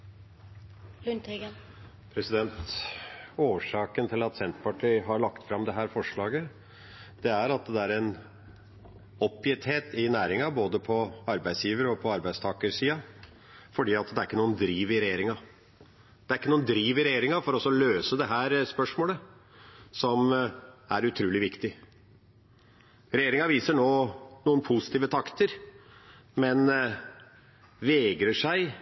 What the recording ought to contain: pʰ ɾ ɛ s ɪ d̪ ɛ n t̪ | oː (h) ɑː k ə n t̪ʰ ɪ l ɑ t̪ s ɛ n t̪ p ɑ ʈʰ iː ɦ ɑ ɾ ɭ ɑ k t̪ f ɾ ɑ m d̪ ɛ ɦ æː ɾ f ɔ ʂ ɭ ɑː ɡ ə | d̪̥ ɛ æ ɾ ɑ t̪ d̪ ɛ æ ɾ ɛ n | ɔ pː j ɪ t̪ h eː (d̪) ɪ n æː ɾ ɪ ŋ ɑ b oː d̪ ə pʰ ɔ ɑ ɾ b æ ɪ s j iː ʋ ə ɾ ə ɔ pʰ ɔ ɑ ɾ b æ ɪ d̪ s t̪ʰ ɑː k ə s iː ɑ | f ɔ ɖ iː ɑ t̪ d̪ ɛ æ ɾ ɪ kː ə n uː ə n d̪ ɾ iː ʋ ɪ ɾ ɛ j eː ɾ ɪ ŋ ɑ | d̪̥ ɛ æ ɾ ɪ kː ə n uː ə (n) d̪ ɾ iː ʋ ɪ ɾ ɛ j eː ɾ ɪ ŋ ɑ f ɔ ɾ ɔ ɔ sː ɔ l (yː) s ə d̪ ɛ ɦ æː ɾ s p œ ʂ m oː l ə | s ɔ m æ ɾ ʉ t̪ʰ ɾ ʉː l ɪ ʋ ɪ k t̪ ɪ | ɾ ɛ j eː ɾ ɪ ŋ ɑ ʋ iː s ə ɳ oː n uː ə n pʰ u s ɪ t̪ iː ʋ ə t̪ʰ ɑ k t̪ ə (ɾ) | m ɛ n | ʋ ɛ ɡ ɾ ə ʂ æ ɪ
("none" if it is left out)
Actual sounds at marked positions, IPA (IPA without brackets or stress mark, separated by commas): ʂ, t̪, n, øː, ɾ